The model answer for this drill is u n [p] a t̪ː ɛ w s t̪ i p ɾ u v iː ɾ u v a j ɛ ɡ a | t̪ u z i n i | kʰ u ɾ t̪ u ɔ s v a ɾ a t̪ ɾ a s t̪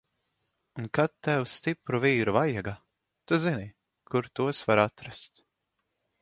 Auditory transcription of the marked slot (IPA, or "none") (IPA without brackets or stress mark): k